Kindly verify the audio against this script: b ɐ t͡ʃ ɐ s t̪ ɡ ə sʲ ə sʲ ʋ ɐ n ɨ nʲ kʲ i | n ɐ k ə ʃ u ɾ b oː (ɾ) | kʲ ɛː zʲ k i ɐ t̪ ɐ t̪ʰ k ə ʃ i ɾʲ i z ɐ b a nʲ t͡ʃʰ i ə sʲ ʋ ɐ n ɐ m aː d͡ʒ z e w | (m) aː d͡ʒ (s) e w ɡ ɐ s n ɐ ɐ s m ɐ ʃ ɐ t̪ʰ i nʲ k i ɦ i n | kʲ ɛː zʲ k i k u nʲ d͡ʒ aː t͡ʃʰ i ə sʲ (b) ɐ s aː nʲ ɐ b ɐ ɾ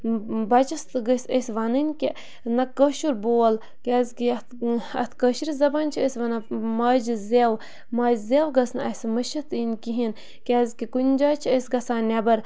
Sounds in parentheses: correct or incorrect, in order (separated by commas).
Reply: incorrect, correct, incorrect, incorrect